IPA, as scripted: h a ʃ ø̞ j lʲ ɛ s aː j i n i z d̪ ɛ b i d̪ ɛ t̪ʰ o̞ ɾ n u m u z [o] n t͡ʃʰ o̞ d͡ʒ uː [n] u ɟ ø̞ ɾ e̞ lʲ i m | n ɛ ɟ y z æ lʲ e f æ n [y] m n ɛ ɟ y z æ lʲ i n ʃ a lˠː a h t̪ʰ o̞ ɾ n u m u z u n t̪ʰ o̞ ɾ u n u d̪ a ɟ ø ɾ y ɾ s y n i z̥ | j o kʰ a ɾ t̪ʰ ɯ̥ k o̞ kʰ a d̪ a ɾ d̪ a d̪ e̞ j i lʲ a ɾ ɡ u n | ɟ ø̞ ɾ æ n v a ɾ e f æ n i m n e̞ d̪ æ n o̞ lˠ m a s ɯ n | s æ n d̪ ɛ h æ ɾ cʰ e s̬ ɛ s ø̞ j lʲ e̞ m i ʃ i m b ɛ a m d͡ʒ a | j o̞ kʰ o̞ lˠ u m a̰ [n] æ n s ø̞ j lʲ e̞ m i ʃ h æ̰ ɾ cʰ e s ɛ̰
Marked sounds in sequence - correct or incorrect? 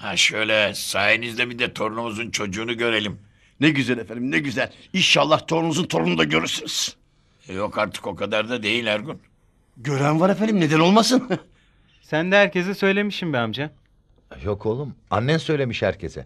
incorrect, correct, incorrect, incorrect

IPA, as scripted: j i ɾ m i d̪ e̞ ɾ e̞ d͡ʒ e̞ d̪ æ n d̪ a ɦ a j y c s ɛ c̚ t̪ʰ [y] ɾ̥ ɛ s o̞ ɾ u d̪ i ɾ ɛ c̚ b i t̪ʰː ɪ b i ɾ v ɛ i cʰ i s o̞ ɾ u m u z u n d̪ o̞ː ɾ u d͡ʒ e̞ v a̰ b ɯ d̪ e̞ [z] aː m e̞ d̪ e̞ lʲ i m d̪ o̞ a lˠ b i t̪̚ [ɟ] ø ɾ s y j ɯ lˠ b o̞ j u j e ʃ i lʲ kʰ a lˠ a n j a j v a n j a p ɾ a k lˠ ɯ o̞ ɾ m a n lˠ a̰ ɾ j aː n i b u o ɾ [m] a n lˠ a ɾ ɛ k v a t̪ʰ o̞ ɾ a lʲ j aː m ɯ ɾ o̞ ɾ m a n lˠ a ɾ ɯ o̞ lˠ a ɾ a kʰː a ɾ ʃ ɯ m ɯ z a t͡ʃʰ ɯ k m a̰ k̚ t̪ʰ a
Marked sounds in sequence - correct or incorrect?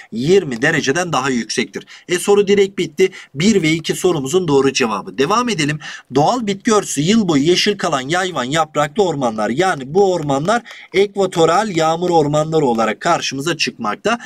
incorrect, incorrect, incorrect, correct

